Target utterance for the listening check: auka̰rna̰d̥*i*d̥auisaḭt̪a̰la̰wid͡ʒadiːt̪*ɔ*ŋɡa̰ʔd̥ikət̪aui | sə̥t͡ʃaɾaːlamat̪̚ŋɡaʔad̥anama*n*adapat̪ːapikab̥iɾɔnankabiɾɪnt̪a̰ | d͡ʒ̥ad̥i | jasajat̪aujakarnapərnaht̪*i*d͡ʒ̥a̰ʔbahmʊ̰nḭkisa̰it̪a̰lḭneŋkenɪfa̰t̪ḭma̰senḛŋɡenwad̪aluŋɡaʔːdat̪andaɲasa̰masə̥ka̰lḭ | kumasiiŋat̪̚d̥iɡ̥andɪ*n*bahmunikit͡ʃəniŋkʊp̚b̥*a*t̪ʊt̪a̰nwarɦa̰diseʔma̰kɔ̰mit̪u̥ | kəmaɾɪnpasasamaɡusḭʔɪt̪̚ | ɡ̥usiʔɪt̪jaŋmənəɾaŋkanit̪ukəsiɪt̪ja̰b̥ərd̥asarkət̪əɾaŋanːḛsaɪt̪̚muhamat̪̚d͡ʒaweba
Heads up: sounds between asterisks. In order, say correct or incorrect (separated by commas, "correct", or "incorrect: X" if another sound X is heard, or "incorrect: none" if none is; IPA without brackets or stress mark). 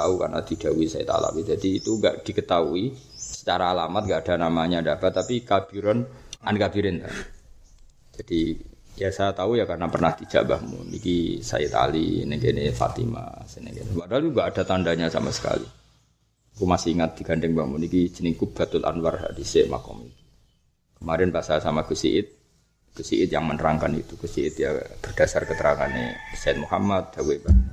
correct, incorrect: u, incorrect: ɲ, correct, incorrect: ŋ, correct